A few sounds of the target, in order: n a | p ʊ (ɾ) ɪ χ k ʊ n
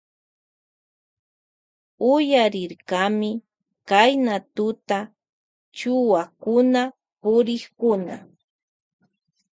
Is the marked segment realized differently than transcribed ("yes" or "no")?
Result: no